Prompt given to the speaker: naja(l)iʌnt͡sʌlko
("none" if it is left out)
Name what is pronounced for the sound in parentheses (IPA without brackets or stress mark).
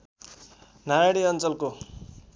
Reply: ɽ